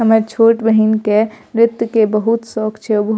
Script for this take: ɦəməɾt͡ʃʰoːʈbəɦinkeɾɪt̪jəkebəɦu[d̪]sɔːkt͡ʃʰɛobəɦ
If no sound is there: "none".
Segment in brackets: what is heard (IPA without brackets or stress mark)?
t̪